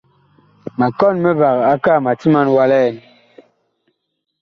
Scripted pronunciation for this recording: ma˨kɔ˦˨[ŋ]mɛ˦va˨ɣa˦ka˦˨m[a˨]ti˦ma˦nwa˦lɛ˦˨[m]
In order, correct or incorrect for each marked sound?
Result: incorrect, correct, incorrect

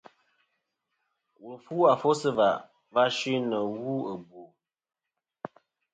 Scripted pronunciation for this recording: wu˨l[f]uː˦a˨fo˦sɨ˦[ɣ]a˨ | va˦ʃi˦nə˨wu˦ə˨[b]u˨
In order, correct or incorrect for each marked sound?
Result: correct, incorrect, correct

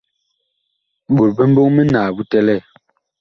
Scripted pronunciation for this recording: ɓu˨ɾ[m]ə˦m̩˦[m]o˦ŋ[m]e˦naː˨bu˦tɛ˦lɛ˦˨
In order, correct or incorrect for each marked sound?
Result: incorrect, incorrect, correct

